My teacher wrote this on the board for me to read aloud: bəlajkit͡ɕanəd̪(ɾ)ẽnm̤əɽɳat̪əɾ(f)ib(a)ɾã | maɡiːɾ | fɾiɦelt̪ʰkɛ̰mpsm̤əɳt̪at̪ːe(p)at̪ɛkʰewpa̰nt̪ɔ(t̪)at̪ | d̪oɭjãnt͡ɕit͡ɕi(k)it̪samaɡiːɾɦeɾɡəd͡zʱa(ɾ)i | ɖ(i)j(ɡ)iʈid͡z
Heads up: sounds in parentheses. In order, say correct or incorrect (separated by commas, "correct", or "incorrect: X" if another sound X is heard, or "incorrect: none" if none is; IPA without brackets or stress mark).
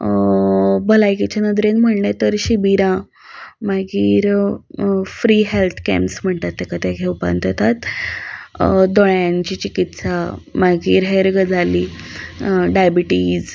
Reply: correct, incorrect: ɕ, incorrect: i, incorrect: k, correct, correct, incorrect: l, incorrect: a, incorrect: b